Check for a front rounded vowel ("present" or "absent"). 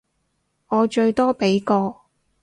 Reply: absent